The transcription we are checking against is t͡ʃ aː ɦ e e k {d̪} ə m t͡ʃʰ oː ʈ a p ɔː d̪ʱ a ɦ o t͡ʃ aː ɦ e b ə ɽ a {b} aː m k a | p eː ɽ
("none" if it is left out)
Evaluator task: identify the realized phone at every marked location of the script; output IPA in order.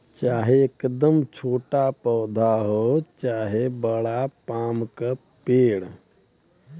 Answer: d̪, p

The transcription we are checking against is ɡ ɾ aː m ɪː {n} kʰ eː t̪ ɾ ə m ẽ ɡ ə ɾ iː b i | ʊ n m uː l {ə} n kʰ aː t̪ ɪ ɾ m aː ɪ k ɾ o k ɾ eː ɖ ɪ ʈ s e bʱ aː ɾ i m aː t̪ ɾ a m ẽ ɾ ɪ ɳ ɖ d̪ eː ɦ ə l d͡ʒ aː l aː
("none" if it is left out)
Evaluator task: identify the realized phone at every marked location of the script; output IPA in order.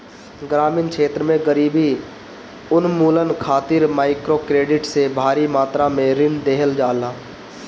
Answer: n, ə

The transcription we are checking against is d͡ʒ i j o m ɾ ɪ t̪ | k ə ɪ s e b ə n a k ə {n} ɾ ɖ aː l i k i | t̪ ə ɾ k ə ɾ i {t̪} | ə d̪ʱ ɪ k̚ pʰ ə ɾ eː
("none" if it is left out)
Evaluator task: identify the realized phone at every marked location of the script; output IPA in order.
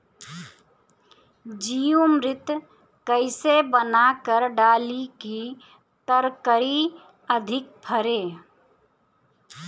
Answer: none, none

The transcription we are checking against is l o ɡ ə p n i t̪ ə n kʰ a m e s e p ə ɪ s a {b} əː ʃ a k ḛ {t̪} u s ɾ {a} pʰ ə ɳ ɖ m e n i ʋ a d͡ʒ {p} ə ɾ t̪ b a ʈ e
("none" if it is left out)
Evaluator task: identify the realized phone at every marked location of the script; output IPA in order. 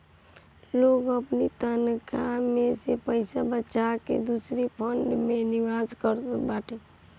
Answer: b, d̪, i, k

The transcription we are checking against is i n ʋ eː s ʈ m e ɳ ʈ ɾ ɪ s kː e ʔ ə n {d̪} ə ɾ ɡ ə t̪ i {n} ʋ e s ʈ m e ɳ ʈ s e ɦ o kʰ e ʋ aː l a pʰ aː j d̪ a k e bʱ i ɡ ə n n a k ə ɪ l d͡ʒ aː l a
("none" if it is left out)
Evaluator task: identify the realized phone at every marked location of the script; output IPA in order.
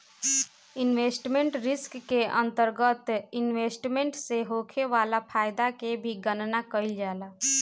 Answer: t̪, n

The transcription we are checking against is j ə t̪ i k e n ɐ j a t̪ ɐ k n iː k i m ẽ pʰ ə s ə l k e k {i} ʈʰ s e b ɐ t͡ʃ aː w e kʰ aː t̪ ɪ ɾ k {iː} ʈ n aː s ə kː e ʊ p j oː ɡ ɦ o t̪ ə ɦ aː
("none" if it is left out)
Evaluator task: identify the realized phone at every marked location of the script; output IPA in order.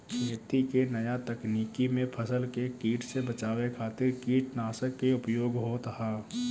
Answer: iː, iː

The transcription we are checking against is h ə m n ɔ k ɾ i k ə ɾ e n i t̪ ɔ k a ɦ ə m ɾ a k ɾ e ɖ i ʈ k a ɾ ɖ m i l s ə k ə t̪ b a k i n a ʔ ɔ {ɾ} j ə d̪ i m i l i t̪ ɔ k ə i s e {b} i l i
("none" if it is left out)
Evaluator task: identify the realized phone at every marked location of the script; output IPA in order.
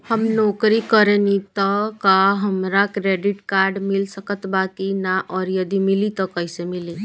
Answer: ɾ, m

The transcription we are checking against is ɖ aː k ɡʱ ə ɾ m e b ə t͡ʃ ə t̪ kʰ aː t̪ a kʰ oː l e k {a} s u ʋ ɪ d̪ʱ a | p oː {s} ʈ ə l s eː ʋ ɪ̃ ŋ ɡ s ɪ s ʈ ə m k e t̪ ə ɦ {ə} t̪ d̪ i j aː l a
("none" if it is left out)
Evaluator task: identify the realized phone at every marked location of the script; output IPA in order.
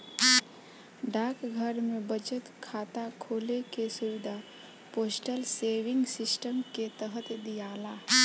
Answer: e, s, ə

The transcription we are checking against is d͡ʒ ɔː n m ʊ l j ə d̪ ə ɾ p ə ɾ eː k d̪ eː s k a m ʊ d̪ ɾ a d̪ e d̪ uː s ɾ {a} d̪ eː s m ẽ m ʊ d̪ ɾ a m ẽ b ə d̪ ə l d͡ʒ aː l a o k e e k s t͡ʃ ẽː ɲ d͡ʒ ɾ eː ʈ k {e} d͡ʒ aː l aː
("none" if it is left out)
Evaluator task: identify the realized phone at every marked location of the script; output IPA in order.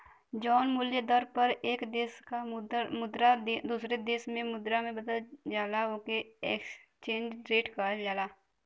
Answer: e, a

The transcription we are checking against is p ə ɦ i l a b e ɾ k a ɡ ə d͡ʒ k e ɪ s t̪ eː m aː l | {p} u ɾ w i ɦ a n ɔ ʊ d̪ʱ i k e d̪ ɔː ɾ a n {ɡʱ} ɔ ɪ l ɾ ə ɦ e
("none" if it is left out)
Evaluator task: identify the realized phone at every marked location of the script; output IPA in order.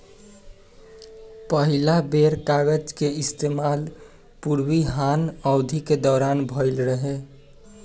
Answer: p, bʱ

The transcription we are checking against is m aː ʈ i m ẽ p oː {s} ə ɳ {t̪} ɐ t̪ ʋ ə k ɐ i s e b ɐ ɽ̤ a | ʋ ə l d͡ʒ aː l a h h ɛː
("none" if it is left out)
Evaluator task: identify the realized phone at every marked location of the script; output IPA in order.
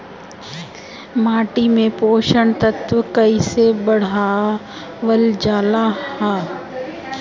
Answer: ʃ, t̪

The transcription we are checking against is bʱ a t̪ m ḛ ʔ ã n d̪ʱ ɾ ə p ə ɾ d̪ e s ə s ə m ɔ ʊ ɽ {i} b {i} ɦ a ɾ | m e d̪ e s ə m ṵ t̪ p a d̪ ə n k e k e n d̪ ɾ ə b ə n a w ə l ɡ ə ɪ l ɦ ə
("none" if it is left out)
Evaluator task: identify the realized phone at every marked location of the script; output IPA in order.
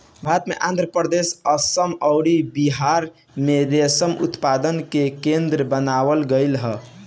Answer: i, i

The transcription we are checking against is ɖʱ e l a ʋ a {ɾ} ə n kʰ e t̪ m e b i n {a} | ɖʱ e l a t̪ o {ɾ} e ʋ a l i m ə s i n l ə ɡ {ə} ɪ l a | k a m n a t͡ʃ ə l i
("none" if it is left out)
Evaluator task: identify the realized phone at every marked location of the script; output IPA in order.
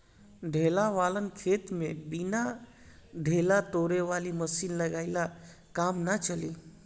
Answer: l, a, ɾ, a

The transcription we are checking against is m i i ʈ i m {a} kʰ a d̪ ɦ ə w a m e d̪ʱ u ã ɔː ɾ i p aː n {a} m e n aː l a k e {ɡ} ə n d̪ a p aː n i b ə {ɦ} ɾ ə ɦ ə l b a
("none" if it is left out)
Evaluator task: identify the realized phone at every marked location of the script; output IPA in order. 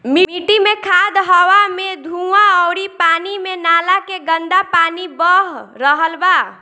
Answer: e, i, ɡ, ɦ

